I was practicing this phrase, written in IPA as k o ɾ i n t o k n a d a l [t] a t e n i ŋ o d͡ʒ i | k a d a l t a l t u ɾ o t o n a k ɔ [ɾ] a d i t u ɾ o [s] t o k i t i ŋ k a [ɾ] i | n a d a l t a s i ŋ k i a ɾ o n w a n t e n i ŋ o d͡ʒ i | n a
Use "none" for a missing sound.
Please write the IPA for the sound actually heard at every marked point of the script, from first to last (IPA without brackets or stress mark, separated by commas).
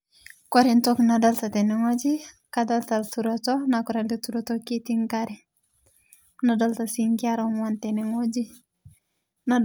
t, ɾ, none, ɾ